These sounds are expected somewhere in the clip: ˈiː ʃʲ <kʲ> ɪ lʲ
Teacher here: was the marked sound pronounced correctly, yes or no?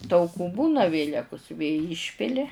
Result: no